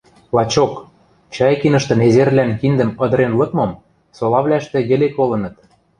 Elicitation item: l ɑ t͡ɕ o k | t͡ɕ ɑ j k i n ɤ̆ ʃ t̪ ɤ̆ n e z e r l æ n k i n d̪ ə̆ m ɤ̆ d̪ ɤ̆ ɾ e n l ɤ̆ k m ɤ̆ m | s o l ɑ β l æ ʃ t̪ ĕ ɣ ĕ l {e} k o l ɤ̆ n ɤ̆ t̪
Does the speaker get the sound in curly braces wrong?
no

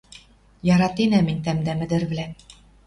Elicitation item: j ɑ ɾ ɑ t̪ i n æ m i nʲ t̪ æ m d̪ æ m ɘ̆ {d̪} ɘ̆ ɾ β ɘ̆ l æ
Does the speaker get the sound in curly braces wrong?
no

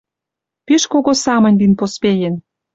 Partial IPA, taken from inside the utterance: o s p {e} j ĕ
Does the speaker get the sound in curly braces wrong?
no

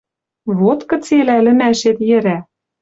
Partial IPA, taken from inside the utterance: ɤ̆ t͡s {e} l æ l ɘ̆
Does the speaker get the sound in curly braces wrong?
no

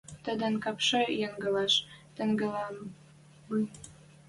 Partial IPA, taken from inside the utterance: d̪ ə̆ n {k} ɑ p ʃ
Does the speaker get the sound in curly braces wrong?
no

